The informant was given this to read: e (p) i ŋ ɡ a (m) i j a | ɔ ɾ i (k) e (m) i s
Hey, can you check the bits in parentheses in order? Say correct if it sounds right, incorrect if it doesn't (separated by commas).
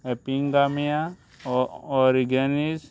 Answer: correct, correct, incorrect, incorrect